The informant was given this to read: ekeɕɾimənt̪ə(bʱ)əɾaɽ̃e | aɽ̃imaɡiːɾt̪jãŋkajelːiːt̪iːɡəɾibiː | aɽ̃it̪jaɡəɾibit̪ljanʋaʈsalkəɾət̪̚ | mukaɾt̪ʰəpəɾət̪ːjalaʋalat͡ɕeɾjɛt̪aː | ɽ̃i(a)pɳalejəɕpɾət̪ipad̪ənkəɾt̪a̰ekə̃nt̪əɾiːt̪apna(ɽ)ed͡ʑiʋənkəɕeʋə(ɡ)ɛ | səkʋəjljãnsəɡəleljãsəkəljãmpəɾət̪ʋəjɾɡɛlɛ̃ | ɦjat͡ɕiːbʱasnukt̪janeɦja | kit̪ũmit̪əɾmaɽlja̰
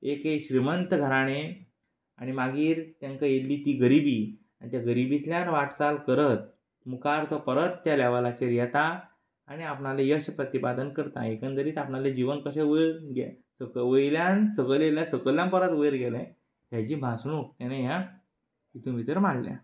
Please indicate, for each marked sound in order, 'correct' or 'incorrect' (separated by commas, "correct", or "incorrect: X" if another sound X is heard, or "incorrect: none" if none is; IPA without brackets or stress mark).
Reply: incorrect: ɡʱ, correct, incorrect: l, correct